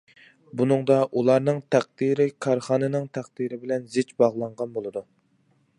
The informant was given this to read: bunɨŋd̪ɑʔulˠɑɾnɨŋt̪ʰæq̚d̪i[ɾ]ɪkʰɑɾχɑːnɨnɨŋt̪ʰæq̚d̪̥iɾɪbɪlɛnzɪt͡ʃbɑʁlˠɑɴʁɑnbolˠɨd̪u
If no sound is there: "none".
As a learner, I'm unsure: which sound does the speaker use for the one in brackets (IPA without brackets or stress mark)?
ɾ